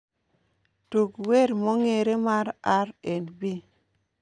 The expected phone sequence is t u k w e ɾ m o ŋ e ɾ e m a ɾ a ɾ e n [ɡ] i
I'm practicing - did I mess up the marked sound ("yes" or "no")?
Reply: yes